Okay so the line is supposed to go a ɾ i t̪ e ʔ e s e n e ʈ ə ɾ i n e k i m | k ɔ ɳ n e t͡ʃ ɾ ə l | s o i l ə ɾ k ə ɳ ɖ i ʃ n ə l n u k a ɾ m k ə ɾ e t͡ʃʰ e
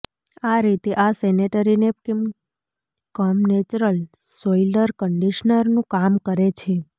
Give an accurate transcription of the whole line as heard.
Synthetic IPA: a ɾ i t̪ e ʔ a s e n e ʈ ə ɾ i n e k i m | k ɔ m n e t͡ʃ ɾ ə l | s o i l ə ɾ k ə ɳ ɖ i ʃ n ə ɾ n ũ k a m k ə ɾ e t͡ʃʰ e